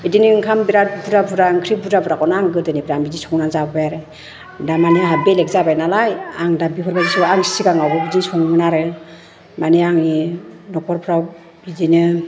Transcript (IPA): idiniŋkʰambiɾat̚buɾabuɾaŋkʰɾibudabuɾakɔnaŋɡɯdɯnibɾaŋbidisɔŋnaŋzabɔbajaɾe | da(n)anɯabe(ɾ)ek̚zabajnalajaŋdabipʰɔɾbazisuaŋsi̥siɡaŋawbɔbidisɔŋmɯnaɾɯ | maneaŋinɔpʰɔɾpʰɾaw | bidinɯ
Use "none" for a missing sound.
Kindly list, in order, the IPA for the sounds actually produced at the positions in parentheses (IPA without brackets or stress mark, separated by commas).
m, l